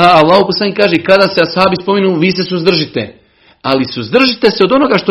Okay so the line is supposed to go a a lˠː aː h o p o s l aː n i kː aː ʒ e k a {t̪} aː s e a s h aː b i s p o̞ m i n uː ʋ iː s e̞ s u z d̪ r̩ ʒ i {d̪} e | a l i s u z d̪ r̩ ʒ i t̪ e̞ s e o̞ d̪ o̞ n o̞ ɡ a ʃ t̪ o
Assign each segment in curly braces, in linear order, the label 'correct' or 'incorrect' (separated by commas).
incorrect, incorrect